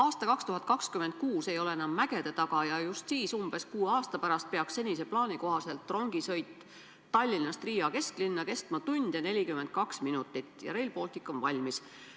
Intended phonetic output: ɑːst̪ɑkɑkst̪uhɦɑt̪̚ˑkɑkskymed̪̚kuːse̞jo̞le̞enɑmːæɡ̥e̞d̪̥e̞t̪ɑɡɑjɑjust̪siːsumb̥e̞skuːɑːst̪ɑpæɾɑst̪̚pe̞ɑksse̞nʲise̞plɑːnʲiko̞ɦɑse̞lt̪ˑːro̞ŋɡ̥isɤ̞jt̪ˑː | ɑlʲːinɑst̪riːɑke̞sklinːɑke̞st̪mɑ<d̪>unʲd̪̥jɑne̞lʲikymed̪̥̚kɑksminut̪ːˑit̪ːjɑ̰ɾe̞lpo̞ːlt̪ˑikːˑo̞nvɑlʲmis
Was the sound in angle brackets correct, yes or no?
no